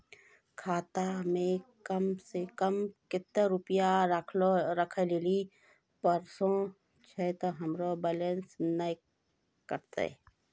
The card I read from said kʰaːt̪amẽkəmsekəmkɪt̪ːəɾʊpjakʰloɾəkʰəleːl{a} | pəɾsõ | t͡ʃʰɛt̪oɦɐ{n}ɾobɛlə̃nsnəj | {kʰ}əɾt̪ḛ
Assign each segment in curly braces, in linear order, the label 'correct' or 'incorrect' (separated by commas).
incorrect, incorrect, incorrect